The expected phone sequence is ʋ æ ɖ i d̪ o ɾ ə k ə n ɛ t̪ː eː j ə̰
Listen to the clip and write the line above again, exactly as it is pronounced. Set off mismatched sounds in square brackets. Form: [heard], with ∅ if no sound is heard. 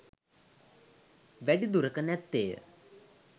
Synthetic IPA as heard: ʋ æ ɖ i d̪ [u] ɾ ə k ə n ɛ t̪ː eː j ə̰